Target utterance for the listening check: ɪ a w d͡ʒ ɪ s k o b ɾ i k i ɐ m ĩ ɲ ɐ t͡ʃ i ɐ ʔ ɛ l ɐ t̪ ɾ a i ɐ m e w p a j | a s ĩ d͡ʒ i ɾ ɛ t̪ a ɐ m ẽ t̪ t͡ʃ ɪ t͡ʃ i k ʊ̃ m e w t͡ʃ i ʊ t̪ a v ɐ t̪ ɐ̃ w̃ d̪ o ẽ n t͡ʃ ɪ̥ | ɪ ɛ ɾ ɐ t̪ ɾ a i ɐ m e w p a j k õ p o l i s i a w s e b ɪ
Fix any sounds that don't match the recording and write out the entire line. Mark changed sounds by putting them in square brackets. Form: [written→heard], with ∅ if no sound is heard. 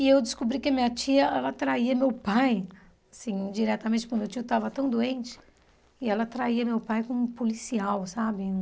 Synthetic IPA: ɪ [a→e] w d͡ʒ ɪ s k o b ɾ i k [i→ɪ] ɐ m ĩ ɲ ɐ t͡ʃ i ɐ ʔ ɛ l ɐ t̪ ɾ a i ɐ m e w p a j | a s ĩ d͡ʒ i ɾ ɛ t̪ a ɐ m ẽ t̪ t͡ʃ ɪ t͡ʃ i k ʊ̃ m e w t͡ʃ i ʊ t̪ a v ɐ t̪ ɐ̃ w̃ d̪ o ẽ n t͡ʃ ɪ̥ | ɪ ɛ [ɾ→l] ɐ t̪ ɾ a i ɐ m e w p a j k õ p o l i s i a w s [e→a] b ɪ